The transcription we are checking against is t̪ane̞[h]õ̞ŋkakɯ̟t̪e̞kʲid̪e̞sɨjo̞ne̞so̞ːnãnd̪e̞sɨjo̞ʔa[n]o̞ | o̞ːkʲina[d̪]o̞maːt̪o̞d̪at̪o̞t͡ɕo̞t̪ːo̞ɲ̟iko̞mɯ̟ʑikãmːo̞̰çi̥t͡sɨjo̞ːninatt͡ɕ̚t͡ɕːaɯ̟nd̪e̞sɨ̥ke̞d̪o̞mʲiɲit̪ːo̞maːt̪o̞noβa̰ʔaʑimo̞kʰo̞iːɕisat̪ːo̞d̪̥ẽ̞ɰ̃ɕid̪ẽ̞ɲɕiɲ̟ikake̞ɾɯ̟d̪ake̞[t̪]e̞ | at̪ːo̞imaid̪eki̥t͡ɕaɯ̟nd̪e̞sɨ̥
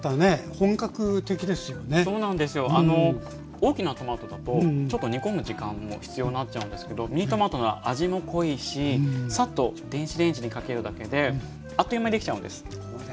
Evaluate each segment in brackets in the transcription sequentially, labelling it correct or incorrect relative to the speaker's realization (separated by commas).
correct, correct, incorrect, incorrect